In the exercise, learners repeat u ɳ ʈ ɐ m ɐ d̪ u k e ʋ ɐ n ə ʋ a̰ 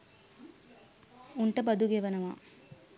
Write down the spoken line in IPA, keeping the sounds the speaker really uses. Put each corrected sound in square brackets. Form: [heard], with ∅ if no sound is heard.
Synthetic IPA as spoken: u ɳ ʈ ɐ [b] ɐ d̪ u [ɡ] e ʋ ɐ n [ɐ] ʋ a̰